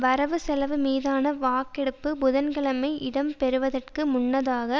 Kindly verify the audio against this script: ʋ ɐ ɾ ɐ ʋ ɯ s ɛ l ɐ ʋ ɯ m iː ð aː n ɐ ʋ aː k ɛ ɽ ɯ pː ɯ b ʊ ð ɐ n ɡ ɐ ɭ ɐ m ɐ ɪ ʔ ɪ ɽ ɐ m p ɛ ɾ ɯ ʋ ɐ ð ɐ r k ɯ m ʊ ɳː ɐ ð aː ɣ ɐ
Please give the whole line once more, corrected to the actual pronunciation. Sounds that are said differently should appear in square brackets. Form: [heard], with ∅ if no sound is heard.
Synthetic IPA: ʋ ɐ ɾ ɐ ʋ ɯ s ɛ l ɐ ʋ ɯ m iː ð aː n ɐ ʋ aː k ɛ ɽ ɯ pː ɯ b ʊ ð ɐ n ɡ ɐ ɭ ɐ m ɐ ɪ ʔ ɪ ɽ ɐ m p ɛ ɾ ɯ ʋ ɐ ð ɐ r k ɯ m ʊ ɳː ɐ ð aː ɣ ɐ